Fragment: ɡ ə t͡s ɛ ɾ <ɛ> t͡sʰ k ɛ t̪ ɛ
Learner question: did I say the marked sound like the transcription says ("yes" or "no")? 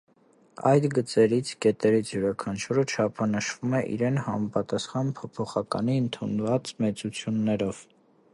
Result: no